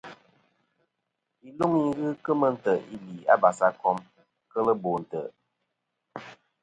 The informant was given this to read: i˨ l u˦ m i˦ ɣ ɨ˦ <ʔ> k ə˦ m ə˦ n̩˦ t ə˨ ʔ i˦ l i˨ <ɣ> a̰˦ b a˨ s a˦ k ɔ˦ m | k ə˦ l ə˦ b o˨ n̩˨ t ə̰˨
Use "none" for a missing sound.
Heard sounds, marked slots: none, none

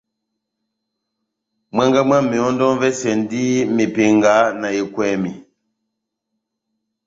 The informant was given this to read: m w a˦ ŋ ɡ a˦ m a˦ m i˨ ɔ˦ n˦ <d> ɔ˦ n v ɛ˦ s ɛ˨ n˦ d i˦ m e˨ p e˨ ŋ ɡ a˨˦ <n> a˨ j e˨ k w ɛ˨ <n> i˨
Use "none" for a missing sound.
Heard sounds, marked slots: d, n, m

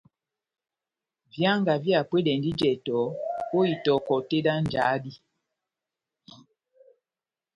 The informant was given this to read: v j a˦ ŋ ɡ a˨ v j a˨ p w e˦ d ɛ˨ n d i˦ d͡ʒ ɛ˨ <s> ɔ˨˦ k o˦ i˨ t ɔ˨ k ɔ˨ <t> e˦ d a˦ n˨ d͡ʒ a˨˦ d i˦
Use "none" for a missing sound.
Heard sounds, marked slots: t, t

